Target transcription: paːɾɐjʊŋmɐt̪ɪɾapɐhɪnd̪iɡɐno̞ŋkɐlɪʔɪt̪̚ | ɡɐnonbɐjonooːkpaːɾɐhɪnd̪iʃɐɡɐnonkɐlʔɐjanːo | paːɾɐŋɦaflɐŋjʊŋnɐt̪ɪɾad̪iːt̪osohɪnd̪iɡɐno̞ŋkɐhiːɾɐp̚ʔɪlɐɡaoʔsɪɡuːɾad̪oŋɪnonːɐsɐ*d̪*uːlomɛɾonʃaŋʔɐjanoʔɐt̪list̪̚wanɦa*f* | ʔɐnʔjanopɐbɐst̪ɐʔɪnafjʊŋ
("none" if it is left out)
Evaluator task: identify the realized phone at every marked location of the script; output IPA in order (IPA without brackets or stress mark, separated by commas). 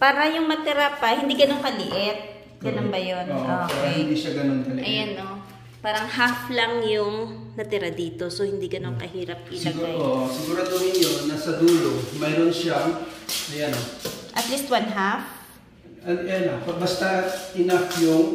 d̪, f